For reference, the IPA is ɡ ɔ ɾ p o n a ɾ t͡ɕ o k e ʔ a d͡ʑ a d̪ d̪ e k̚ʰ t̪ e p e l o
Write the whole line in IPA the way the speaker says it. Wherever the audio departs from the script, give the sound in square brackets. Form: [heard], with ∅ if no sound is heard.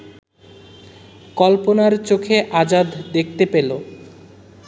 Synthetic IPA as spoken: [k] ɔ [l] p o n a ɾ t͡ɕ o [kʰ] e ʔ a d͡ʑ a d̪ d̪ e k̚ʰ t̪ e p e l o